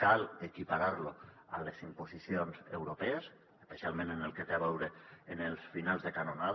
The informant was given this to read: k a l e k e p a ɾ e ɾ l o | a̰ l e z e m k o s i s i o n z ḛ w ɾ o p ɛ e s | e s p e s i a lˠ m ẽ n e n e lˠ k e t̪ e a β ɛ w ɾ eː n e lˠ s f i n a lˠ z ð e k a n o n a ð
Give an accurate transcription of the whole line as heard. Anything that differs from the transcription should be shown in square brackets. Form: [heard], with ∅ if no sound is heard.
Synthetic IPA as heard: k a l e k [i] p a ɾ [a] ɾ l o | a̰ l e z [i] m [p] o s i s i o n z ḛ w ɾ o p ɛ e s | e s p e s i a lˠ m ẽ n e n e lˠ k e t̪ e a β ɛ w ɾ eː n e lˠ s f i n a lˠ z ð e k a n o n a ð